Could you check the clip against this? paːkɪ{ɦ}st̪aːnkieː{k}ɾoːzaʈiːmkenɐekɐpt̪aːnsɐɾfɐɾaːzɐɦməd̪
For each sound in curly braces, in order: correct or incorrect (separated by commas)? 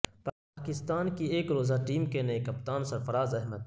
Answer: incorrect, correct